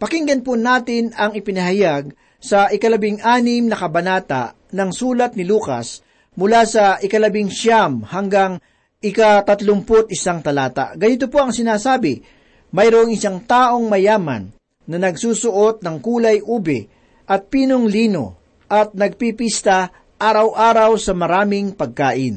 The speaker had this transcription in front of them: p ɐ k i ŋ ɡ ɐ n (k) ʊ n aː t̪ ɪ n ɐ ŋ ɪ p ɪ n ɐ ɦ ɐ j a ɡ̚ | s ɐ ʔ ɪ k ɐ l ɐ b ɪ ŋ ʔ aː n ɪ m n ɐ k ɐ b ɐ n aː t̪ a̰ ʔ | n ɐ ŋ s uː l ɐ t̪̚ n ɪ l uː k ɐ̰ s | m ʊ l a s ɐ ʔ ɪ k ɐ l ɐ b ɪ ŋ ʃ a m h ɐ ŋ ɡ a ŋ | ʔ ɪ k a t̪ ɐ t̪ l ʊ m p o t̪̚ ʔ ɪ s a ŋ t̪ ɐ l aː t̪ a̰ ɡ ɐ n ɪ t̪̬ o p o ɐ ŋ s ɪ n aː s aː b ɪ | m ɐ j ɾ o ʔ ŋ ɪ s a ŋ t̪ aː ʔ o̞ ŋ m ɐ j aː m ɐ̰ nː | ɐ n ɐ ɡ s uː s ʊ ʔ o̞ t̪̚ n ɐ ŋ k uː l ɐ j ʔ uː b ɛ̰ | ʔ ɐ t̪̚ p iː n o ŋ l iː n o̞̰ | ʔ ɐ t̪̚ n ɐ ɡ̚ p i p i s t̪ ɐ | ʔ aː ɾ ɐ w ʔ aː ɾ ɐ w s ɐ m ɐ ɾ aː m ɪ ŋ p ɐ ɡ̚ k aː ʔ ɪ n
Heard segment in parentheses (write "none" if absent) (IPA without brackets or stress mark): p